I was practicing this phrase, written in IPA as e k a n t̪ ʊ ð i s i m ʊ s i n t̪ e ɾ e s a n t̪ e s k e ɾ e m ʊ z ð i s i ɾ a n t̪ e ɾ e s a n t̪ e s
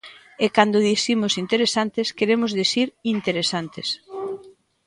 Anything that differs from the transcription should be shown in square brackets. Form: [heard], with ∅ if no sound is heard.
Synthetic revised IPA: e k a n [d̪] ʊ ð i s i m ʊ s i n t̪ e ɾ e s a n t̪ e s k e ɾ e m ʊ z ð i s i ɾ [i] n t̪ e ɾ e s a n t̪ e s